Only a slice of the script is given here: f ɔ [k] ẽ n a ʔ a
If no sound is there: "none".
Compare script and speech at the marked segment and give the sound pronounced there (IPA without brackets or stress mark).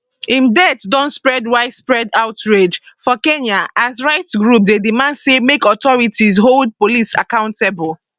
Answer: k